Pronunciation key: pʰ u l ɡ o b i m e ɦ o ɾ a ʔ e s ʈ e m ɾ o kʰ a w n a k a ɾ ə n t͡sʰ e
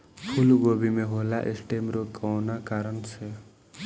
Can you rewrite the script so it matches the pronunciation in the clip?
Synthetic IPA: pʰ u l ɡ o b i m e ɦ o l a ʔ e s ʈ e m ɾ o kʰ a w n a k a ɾ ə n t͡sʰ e